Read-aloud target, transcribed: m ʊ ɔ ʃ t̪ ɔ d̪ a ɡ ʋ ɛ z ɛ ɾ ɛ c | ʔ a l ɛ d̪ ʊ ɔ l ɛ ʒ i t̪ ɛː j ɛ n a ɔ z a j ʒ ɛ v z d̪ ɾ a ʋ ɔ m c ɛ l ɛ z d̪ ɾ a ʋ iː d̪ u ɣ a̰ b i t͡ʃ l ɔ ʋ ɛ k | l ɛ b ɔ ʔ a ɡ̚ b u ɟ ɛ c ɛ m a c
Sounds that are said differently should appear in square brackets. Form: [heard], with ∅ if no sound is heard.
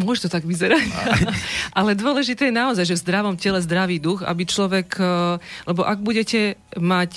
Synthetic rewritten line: m ʊ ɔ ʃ t̪ ɔ [t̪] a ɡ ʋ [i] z ɛ ɾ [a] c | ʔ a l ɛ d̪ ʊ ɔ l ɛ ʒ i t̪ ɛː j ɛ n a ɔ z a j ʒ ɛ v z d̪ ɾ a ʋ ɔ m c ɛ l ɛ z d̪ ɾ a ʋ iː d̪ u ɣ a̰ b i t͡ʃ l ɔ ʋ ɛ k | l ɛ b ɔ ʔ a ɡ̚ b u ɟ ɛ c ɛ m a c